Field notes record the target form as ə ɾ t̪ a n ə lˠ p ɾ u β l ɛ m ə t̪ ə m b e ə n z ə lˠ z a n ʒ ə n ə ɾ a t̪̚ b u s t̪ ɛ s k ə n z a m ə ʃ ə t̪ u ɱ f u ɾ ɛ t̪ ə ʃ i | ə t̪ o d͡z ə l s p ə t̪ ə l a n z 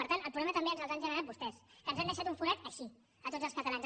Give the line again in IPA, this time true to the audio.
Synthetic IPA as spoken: ə ɾ t̪ a n ə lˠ p ɾ u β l ɛ m ə t̪ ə m b e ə n z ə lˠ z a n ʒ ə n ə ɾ a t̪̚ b u s t̪ ɛ s k ə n z a n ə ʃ a t̪ u ɱ f u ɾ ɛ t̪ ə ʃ i | ə t̪ o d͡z ə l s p ə t̪ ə l a n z